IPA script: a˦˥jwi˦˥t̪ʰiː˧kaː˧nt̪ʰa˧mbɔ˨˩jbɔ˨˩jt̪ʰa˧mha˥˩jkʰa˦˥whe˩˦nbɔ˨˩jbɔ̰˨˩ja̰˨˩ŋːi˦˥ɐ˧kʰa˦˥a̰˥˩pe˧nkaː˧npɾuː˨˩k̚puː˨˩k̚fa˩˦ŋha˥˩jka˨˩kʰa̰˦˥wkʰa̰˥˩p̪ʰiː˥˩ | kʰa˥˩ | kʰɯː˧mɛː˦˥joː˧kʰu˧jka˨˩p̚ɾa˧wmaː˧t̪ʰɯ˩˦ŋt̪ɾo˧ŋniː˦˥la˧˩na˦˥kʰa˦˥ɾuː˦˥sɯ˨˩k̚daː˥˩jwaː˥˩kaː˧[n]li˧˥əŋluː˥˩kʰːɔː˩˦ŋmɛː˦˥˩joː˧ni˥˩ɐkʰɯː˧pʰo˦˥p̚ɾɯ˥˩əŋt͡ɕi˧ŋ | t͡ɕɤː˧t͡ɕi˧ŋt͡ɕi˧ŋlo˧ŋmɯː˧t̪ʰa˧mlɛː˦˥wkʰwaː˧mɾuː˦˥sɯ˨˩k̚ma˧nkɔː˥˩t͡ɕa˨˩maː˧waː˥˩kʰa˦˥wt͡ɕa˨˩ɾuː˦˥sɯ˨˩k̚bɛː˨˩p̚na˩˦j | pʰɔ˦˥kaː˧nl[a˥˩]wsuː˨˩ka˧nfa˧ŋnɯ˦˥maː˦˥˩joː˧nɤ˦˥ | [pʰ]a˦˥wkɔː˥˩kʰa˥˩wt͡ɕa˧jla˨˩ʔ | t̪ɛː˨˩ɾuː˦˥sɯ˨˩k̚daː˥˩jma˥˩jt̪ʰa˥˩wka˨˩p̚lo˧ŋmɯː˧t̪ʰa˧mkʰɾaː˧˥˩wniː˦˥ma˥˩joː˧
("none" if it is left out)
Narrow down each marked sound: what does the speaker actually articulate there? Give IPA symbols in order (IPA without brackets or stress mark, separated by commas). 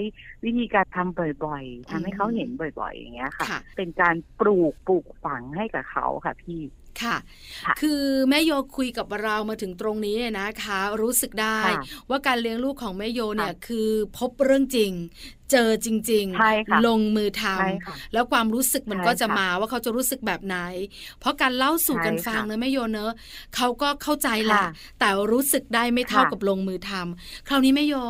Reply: n, a˥˩, kʰ